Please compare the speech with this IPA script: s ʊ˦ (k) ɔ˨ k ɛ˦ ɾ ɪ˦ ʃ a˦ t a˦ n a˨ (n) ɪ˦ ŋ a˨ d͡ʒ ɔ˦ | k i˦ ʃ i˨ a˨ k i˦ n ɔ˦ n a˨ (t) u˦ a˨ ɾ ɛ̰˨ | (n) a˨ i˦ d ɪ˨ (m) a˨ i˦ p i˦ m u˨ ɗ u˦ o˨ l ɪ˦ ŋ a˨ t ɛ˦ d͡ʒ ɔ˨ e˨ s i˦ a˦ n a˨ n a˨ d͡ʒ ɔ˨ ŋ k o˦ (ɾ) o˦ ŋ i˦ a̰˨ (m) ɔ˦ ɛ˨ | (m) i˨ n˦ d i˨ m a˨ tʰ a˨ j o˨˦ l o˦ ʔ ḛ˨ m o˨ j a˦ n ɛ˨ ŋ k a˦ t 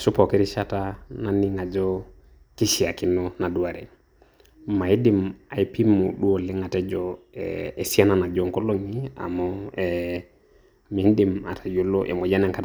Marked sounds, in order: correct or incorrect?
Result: incorrect: p, correct, incorrect: d, incorrect: m, correct, incorrect: l, correct, correct

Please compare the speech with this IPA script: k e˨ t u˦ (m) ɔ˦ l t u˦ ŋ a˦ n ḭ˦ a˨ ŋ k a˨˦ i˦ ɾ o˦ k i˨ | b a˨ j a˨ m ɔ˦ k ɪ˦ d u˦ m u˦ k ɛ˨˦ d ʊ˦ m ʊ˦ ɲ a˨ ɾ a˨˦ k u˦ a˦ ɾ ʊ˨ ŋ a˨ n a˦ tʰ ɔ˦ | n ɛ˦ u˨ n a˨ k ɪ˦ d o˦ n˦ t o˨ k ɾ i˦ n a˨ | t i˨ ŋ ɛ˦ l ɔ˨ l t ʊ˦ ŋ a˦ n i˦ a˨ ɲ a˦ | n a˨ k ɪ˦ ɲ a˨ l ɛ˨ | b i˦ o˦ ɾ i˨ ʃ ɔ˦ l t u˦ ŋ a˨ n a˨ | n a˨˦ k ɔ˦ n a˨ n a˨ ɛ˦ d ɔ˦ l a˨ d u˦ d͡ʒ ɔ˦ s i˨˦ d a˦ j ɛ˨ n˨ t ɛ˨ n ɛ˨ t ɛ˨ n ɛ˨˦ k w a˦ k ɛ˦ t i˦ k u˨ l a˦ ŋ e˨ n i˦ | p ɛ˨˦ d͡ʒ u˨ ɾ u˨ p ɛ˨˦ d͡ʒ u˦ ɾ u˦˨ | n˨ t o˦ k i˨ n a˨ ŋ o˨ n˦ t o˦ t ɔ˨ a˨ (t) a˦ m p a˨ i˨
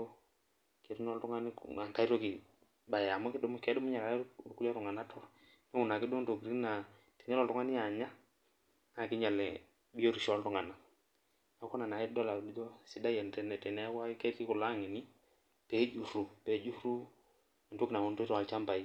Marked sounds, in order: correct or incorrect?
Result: incorrect: n, incorrect: t͡ʃ

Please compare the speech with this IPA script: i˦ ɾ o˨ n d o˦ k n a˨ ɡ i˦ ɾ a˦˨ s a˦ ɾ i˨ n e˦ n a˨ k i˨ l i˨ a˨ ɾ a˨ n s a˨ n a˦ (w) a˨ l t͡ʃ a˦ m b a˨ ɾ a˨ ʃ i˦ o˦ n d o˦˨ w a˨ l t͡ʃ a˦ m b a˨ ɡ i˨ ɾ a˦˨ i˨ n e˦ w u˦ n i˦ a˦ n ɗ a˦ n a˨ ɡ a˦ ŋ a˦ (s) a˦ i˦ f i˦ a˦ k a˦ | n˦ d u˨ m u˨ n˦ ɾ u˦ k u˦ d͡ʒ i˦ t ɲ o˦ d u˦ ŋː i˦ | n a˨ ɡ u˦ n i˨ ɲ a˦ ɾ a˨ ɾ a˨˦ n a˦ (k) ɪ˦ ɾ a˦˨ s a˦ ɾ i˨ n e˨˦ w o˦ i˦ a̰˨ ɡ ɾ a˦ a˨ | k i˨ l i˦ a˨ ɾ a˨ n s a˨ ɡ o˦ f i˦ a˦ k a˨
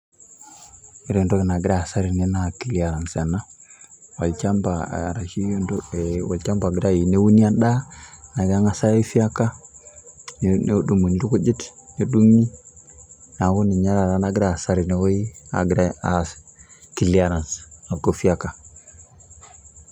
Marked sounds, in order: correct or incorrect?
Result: correct, correct, incorrect: ɡ

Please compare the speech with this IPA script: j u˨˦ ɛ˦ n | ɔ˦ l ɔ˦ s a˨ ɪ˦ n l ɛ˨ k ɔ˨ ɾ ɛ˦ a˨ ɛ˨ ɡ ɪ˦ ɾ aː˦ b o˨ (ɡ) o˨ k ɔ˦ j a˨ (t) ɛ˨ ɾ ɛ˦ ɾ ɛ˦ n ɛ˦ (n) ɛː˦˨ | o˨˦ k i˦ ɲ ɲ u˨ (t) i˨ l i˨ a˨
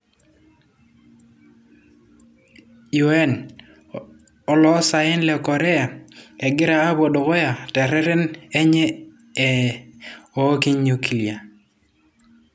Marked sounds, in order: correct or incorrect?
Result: incorrect: d, correct, incorrect: ɲ, incorrect: k

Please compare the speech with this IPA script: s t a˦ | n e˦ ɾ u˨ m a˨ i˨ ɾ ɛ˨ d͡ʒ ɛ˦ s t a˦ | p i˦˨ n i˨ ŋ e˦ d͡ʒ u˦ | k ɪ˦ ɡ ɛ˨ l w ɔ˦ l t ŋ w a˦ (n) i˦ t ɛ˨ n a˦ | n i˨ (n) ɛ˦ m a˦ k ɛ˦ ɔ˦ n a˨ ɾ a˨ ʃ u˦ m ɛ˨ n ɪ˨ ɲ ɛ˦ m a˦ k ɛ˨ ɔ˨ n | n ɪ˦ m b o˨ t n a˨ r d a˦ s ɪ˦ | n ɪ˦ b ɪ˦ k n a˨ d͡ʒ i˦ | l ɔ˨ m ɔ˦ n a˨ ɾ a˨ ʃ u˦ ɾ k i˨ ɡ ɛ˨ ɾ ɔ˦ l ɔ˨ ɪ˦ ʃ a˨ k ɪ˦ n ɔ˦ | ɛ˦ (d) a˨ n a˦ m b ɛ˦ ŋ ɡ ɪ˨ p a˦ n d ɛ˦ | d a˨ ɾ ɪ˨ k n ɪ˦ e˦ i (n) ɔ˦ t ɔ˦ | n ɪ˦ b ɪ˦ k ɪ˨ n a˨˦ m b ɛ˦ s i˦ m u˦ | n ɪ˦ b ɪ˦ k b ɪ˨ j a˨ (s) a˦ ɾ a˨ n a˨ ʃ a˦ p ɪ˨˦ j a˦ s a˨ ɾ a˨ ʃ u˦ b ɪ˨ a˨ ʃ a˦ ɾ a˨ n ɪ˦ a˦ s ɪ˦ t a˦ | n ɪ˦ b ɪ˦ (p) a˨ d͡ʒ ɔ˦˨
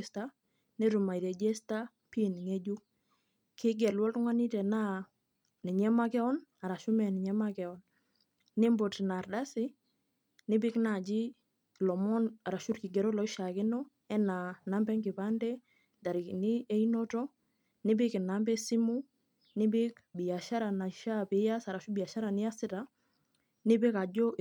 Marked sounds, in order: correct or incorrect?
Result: correct, incorrect: ɲ, incorrect: n, correct, incorrect: ʃ, incorrect: k

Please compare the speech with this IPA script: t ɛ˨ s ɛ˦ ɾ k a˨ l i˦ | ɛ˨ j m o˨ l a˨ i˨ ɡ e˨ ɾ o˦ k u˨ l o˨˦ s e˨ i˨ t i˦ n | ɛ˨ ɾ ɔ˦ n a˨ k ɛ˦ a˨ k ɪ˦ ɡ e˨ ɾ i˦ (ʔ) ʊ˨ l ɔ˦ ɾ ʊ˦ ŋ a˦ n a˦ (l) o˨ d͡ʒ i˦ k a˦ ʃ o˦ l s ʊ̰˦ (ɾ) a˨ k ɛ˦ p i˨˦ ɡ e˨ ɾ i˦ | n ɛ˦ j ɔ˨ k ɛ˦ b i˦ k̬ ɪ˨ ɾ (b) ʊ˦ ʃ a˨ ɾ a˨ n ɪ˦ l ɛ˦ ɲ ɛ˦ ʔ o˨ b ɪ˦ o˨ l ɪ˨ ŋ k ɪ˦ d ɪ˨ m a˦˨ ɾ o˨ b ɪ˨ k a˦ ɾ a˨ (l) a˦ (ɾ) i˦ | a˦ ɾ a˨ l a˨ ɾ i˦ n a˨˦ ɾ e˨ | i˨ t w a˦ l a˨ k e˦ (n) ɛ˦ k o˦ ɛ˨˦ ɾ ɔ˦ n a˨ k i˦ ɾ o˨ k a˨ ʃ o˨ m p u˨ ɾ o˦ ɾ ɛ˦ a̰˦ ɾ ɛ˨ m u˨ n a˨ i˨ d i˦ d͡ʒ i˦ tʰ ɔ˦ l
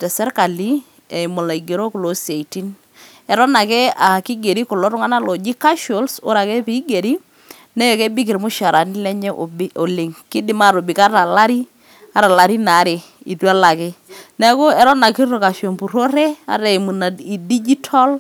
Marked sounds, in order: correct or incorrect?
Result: incorrect: k, correct, correct, incorrect: m, correct, correct, correct

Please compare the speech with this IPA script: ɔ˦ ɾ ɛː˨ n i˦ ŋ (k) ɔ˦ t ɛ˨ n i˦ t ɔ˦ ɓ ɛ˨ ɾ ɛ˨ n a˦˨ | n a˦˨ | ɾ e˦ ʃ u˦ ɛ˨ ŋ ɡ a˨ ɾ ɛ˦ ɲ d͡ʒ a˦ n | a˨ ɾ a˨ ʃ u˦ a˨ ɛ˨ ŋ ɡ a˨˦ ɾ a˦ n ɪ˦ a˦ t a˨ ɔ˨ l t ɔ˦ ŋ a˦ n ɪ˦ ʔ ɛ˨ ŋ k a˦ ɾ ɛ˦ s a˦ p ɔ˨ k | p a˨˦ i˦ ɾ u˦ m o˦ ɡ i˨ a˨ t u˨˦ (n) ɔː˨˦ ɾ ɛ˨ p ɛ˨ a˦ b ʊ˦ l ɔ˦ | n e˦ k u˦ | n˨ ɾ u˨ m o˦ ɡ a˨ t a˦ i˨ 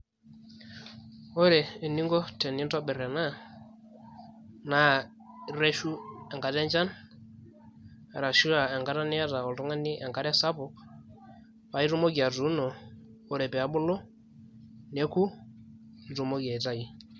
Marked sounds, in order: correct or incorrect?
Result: incorrect: ɡ, correct

